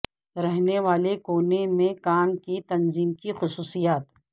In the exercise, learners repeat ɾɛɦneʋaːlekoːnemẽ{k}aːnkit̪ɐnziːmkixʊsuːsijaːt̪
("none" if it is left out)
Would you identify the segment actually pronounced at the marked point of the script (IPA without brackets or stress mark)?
k